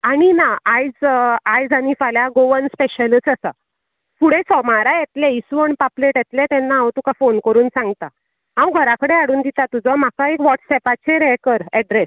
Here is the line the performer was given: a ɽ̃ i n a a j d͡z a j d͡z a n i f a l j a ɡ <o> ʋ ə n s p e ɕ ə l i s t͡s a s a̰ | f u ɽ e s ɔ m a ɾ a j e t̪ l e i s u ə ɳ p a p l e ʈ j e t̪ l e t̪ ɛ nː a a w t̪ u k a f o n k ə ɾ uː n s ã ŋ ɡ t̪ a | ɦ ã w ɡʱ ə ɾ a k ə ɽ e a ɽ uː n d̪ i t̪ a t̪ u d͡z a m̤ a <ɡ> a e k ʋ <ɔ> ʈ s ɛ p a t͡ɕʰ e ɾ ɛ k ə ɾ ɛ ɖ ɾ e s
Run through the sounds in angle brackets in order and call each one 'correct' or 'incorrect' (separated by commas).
correct, incorrect, correct